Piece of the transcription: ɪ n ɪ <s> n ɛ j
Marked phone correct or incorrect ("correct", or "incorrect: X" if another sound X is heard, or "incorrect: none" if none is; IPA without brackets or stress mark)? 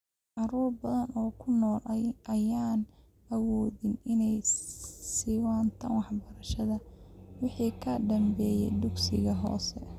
incorrect: none